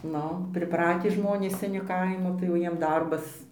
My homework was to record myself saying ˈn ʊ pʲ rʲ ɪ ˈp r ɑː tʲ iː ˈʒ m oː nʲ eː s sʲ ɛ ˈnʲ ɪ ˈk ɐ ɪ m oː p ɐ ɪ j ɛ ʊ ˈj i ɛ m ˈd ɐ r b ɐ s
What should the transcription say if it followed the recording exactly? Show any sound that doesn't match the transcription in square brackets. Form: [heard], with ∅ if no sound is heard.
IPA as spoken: ˈn ʊ pʲ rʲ ɪ ˈp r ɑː tʲ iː ˈʒ m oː nʲ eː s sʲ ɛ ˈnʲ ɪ ˈk ɐ ɪ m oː [t] ɐ ɪ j ɛ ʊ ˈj i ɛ m ˈd ɐ r b ɐ s